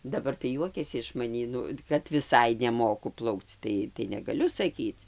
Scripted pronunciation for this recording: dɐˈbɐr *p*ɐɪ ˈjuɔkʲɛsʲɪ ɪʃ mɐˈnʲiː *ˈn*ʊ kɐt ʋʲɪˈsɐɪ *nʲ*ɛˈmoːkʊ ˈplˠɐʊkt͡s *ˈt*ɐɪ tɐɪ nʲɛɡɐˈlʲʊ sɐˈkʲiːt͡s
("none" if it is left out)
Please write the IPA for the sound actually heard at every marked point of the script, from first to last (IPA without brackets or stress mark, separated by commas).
t, n, nʲ, t